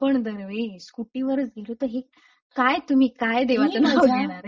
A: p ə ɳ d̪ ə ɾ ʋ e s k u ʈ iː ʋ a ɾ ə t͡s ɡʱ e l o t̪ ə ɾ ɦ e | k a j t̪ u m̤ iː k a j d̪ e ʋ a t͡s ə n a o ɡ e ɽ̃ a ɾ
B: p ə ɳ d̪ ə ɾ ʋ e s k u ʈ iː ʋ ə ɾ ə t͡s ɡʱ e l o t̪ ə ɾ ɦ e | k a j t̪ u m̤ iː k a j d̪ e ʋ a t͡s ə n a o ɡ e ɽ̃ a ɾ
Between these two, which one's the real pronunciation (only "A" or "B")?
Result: B